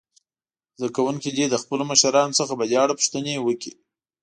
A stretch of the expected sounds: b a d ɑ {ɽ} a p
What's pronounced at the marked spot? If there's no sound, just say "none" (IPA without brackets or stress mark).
ɽ